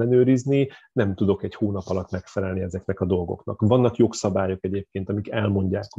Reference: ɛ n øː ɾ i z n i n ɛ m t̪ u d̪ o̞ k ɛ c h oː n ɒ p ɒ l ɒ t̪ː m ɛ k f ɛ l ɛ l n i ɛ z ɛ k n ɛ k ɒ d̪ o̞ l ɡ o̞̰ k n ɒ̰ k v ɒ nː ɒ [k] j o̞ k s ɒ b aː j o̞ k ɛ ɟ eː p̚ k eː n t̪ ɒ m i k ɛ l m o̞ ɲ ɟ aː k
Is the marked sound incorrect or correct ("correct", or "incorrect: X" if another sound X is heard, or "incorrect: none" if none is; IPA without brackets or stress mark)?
correct